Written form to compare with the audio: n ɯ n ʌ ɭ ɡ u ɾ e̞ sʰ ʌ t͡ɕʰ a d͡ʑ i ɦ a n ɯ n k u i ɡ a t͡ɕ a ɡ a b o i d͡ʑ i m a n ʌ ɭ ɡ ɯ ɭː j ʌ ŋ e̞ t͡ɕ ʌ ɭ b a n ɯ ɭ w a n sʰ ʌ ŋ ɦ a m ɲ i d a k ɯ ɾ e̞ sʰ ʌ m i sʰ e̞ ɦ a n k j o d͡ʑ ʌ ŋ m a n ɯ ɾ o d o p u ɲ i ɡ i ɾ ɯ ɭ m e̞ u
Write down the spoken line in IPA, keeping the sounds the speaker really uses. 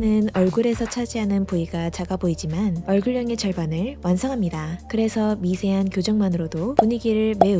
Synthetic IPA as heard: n ɯ n ʌ ɭ ɡ u ɾ e̞ sʰ ʌ t͡ɕʰ a d͡ʑ i ɦ a n ɯ n p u i ɡ a t͡ɕ a ɡ a b o i d͡ʑ i m a n ʌ ɭ ɡ ɯ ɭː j ʌ ŋ e̞ t͡ɕ ʌ ɭ b a n ɯ ɭ w a n sʰ ʌ ŋ ɦ a m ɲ i d a k ɯ ɾ e̞ sʰ ʌ m i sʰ e̞ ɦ a n k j o d͡ʑ ʌ ŋ m a n ɯ ɾ o d o p u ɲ i ɡ i ɾ ɯ ɭ m e̞ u